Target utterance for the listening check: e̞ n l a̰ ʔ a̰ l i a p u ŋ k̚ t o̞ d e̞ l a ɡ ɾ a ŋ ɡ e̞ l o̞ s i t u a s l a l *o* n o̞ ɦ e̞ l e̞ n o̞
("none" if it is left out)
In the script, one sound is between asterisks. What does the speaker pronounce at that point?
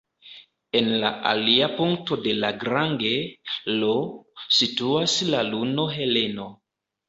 u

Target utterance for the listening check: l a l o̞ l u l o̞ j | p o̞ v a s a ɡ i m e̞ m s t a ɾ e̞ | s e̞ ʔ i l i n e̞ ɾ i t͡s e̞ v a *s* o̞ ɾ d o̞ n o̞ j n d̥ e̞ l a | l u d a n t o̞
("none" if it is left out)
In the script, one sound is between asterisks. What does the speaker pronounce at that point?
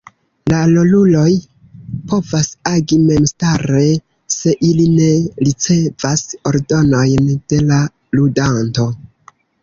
s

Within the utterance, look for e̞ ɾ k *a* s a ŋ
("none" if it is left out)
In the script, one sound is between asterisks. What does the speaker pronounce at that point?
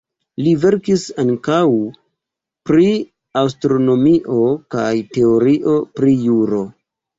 i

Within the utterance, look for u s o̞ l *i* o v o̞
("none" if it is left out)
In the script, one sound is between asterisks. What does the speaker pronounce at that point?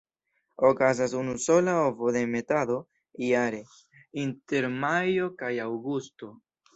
a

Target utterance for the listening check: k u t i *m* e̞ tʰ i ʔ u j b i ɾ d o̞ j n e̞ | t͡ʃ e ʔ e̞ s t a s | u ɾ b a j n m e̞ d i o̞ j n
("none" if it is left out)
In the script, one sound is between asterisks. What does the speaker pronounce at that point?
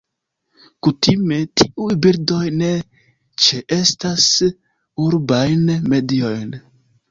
m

